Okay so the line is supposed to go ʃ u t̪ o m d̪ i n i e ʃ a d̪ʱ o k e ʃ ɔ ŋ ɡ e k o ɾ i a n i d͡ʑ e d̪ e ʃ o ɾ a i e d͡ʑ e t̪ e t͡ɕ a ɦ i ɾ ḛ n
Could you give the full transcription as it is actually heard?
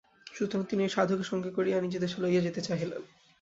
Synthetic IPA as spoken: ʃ u t̪ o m t̪ i n i e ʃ a d̪ʱ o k e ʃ ɔ ŋ ɡ e k o ɾ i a n i d͡ʑ e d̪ e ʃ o l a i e d͡ʑ e t̪ e t͡ɕ a ɦ i l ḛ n